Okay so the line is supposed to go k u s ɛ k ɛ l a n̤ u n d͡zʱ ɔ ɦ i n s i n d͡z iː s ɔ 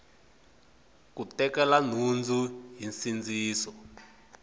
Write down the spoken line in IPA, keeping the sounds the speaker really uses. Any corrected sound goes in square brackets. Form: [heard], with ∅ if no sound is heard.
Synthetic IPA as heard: k u [t] ɛ k ɛ l a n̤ u n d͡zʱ [u] ɦ i n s i n d͡z iː s ɔ